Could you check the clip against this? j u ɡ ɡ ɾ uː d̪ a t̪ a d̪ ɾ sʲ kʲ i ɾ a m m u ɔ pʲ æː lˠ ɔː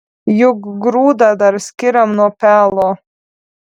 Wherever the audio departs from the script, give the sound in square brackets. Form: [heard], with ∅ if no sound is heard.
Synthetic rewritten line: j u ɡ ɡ ɾ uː d̪ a [d̪] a [∅] ɾ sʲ kʲ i ɾ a m [n] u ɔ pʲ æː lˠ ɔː